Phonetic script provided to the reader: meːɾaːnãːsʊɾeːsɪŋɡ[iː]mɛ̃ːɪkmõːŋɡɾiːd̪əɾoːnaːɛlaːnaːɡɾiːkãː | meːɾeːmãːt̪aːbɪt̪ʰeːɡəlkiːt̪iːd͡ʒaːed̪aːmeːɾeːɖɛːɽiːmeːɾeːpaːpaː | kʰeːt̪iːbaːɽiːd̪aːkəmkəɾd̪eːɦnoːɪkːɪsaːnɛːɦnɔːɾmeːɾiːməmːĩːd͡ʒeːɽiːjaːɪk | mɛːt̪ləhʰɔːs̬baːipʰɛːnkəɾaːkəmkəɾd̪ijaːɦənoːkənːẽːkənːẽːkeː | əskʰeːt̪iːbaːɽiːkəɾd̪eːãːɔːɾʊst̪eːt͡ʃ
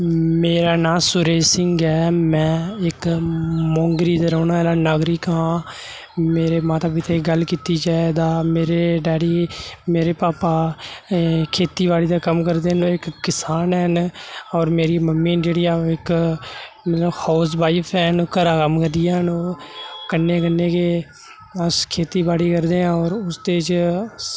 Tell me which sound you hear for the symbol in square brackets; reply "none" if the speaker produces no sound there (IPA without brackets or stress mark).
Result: ɛː